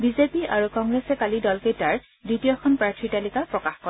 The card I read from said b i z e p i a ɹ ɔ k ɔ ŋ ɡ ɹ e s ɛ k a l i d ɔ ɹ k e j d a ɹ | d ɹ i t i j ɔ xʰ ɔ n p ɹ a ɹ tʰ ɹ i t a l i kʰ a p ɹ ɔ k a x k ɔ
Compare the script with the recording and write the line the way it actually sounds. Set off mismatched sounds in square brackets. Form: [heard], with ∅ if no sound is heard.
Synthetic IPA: b i z e p i a ɹ [u] k ɔ ŋ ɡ ɹ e s ɛ k a l i d ɔ [l] k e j [t] a ɹ | d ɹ i t i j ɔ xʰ ɔ n p ɹ a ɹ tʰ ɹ i t a l i [k] a p ɹ ɔ k a x k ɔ